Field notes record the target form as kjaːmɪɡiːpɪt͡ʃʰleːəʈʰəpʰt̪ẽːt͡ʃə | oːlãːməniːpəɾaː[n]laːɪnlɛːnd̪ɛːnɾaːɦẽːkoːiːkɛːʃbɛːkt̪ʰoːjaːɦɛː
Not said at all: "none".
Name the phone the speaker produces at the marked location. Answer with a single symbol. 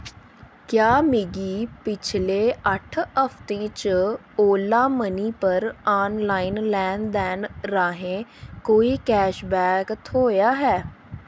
n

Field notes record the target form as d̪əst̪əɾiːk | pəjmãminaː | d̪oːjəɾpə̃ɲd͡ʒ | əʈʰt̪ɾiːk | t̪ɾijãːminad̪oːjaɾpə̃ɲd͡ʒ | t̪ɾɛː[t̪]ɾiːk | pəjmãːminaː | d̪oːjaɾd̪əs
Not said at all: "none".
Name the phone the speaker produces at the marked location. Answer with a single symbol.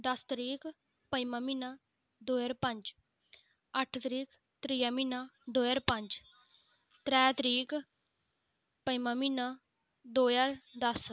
t̪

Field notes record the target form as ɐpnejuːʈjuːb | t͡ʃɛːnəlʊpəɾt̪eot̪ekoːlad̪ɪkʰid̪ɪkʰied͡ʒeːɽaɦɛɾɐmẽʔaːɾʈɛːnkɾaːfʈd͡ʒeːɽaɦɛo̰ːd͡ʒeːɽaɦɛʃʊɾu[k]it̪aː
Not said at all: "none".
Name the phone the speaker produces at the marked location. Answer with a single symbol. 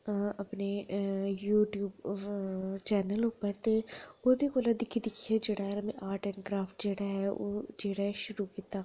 k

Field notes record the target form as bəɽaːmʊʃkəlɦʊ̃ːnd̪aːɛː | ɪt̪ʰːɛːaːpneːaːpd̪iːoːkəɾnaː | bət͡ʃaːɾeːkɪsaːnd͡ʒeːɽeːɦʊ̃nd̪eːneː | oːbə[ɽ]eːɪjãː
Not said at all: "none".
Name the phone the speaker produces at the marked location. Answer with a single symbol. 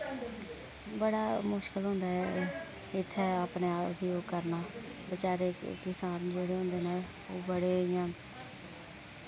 ɽ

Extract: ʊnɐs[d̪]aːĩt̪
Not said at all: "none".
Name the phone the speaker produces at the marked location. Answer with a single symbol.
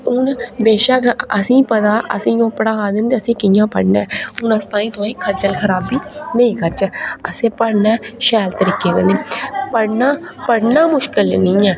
t̪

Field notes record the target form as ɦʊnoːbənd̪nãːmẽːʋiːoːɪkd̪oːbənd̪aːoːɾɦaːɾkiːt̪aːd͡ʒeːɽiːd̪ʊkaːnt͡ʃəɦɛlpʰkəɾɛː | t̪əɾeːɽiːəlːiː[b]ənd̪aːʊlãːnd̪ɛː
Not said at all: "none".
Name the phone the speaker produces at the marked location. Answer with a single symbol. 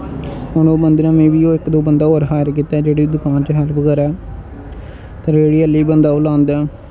b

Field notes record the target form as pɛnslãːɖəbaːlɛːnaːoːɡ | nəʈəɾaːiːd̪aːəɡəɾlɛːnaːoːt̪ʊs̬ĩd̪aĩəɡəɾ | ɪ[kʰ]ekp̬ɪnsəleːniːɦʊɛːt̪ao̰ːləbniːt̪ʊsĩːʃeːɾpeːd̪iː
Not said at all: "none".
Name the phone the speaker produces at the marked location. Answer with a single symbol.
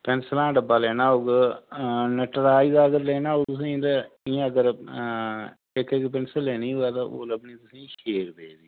k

